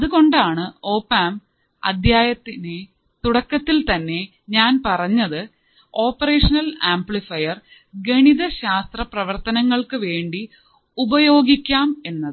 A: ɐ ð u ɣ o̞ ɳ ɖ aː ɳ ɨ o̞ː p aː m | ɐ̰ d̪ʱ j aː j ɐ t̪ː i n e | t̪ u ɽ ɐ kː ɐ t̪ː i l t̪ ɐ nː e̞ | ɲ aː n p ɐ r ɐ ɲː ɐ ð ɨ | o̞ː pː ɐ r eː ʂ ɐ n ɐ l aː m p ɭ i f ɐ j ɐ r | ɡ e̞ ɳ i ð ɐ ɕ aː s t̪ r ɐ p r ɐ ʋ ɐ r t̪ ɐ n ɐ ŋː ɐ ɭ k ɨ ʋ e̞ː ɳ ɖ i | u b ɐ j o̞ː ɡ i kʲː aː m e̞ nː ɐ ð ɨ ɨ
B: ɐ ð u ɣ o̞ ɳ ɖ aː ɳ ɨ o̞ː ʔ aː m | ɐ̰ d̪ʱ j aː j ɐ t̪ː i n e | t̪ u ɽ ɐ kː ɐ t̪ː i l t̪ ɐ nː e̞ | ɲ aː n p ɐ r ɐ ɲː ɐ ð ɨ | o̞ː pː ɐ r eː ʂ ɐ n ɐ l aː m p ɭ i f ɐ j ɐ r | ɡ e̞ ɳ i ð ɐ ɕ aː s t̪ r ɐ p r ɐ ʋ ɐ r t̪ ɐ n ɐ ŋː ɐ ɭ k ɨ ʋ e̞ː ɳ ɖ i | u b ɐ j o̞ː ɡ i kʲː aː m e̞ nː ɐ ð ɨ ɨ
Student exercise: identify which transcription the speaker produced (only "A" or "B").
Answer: A